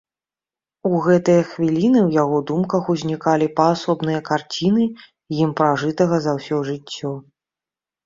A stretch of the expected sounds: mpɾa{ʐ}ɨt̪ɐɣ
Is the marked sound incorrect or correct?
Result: correct